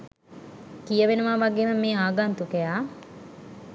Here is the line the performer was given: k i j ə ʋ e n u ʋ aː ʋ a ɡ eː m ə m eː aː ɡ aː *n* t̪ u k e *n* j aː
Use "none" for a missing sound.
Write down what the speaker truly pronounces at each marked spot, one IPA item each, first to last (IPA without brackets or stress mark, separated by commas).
n, none